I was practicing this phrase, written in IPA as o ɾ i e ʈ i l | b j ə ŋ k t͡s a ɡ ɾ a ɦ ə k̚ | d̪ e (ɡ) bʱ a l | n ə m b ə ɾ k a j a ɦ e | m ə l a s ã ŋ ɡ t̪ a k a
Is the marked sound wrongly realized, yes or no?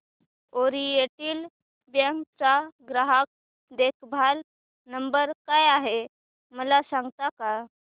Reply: yes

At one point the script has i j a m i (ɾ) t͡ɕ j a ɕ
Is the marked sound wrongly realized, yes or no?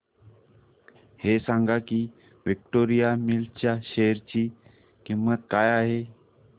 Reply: yes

